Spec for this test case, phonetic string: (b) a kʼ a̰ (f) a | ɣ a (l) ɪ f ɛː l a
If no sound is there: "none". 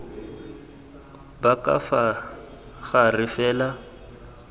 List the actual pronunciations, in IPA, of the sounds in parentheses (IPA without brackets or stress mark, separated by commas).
b, f, r